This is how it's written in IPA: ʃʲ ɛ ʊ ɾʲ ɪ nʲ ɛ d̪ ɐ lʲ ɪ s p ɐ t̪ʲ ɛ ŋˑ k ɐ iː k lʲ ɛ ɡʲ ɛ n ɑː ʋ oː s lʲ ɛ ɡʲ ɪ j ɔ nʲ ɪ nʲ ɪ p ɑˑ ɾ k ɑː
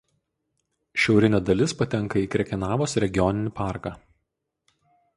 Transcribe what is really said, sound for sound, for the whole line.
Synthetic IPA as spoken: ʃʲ ɛ ʊ ɾʲ ɪ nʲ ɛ d̪ ɐ lʲ ɪ s p ɐ t̪ʲ ɛ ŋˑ k ɐ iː k ɾʲ ɛ kʲ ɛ n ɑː ʋ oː s ɾʲ ɛ ɡʲ ɪ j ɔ nʲ ɪ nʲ ɪ p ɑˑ ɾ k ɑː

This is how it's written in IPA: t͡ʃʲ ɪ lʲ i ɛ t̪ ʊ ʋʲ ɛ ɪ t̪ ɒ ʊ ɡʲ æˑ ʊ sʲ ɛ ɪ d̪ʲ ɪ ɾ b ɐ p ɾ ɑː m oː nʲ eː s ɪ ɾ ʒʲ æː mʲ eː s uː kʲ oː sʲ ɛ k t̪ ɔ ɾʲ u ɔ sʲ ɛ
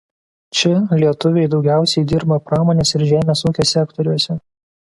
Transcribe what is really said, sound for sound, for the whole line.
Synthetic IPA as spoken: t͡ʃʲ ɪ lʲ i ɛ t̪ ʊ ʋʲ ɛ ɪ d̪ ɒ ʊ ɡʲ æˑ ʊ sʲ ɛ ɪ d̪ʲ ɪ ɾ b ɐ p ɾ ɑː m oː nʲ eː s ɪ ɾ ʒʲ æː mʲ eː s uː kʲ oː sʲ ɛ k t̪ ɔ ɾʲ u ɔ sʲ ɛ

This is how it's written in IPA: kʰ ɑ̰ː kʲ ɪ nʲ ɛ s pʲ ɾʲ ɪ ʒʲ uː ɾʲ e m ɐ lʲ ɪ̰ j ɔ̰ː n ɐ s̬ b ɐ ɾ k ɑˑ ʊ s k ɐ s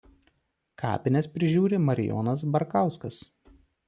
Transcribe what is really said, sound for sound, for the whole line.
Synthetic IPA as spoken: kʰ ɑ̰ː pʲ ɪ nʲ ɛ s pʲ ɾʲ ɪ ʒʲ uː ɾʲ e m ɐ ɾʲ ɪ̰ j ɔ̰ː n ɐ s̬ b ɐ ɾ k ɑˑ ʊ s k ɐ s

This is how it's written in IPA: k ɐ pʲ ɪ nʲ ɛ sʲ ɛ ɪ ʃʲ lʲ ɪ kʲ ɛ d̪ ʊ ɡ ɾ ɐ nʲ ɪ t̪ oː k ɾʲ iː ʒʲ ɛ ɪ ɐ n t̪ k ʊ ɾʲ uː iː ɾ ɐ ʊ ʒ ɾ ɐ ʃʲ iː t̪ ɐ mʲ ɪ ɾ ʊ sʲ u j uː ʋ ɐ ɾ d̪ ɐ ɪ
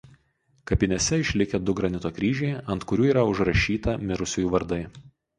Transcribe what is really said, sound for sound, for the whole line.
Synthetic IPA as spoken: k ɐ pʲ ɪ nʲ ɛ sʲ ɛ ɪ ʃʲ lʲ ɪ kʲ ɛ d̪ ʊ ɡ ɾ ɐ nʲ ɪ t̪ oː k ɾʲ iː ʒʲ ɛ ɪ ɐ n t̪ k ʊ ɾʲ uː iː ɾ ɐ ʊ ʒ ɾ ɐ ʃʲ iː t̪ ɐ mʲ ɪ ɾ ʊ sʲ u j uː ʋ ɐ ɾ d̪ ɐ ɪ

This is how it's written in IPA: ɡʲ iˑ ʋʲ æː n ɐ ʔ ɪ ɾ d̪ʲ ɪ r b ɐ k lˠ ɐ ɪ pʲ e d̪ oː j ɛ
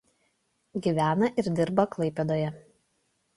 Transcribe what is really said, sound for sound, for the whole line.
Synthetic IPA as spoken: ɡʲ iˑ ʋʲ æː n ɐ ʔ ɪ ɾ d̪ʲ ɪ ɾ b ɐ k lˠ ɐ ɪ pʲ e d̪ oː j ɛ

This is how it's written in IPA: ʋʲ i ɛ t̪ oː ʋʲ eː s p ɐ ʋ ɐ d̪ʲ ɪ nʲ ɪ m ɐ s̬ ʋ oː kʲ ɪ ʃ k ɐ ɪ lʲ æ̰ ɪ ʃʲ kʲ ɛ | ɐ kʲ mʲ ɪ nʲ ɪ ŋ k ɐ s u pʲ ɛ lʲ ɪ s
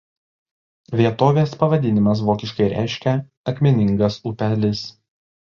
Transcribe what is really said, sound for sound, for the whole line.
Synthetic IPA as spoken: ʋʲ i ɛ t̪ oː ʋʲ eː s p ɐ ʋ ɐ d̪ʲ ɪ nʲ ɪ m ɐ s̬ ʋ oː kʲ ɪ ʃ k ɐ ɪ ɾʲ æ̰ ɪ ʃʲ kʲ ɛ | ɐ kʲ mʲ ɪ nʲ ɪ ŋ ɡ ɐ s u pʲ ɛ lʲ ɪ s

